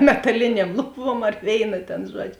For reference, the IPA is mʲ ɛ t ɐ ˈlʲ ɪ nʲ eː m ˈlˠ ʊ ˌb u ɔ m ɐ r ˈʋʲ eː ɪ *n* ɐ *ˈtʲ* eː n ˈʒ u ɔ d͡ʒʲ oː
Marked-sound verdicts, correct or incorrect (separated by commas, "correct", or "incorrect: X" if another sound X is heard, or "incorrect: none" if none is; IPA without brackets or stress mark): correct, correct